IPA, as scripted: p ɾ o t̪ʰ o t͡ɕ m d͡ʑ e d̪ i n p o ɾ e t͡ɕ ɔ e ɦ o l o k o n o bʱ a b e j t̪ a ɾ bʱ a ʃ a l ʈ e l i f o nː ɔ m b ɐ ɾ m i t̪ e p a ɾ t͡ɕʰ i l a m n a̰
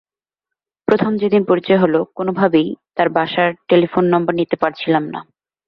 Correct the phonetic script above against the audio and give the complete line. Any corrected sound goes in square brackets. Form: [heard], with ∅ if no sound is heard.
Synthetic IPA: p ɾ o t̪ʰ o [∅] m d͡ʑ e d̪ i n p o ɾ [i] t͡ɕ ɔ e ɦ o l o k o n o bʱ a b e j t̪ a ɾ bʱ a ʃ a [ɾ] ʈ e l i f o nː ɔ m b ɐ ɾ [n] i t̪ e p a ɾ t͡ɕʰ i l a m n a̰